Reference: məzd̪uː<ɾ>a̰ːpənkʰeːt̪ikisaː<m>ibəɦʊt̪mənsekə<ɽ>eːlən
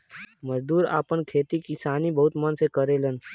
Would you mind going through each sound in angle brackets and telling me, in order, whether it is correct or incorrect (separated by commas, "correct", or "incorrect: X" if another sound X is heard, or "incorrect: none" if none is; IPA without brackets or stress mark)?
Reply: correct, incorrect: n, incorrect: ɾ